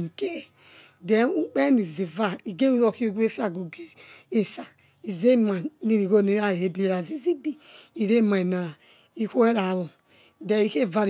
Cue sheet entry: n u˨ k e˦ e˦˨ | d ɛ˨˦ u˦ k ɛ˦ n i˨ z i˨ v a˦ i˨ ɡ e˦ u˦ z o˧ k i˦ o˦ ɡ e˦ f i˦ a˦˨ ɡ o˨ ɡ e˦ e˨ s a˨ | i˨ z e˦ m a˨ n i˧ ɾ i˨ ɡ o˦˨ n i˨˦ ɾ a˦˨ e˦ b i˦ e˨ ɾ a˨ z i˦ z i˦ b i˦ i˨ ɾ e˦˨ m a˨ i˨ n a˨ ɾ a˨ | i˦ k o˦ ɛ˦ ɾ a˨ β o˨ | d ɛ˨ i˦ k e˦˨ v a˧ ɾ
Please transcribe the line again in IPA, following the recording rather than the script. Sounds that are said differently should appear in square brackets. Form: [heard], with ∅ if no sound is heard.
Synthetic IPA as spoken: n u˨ k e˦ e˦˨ | d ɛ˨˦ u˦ [k͡p] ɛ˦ n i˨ z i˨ v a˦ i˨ ɡ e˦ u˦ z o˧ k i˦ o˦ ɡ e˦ f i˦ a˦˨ ɡ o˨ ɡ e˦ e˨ s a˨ | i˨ z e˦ m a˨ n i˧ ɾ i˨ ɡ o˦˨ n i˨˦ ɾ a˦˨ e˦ b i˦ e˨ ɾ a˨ z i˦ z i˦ b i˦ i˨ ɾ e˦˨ m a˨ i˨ n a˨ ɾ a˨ | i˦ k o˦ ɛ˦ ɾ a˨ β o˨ | d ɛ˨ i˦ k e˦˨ v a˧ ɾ